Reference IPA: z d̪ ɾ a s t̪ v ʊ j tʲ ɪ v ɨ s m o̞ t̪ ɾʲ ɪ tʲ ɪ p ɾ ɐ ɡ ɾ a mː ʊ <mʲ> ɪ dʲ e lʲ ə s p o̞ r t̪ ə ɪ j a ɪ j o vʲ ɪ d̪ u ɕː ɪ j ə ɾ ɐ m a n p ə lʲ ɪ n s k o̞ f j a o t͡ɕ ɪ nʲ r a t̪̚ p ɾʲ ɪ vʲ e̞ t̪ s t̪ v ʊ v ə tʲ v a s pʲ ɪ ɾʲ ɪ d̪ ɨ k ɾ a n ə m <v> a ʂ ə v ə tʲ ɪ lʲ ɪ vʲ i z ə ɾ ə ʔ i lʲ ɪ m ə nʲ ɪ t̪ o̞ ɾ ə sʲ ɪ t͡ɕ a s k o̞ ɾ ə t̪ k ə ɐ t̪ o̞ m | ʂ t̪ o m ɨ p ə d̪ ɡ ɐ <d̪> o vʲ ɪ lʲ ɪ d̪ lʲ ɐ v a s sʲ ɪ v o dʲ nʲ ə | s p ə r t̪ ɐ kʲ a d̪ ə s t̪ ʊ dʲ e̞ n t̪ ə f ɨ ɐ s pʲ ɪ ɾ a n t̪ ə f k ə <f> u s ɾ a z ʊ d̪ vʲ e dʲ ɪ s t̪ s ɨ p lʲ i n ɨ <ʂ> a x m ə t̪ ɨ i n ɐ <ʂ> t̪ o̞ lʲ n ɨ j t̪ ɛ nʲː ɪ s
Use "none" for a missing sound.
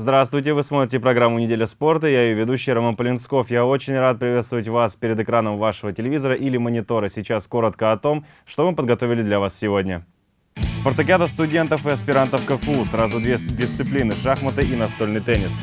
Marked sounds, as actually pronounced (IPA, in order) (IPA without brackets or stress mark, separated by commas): nʲ, v, t̪, f, ʂ, s